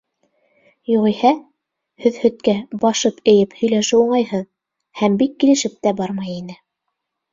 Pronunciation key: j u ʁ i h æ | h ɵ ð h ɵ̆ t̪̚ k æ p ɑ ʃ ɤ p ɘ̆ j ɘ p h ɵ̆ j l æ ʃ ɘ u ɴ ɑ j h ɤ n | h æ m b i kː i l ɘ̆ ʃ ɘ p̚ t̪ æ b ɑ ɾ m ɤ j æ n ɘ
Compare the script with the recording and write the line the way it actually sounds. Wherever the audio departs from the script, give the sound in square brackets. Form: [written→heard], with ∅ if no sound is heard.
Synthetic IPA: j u ʁ i h æ | h ɵ ð h ɵ̆ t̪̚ k æ [p→b] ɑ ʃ ɤ p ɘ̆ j ɘ p h ɵ̆ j l æ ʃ ɘ u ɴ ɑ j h ɤ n | h æ m b i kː i l ɘ̆ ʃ ɘ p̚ t̪ æ b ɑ ɾ m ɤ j [æ→i] n ɘ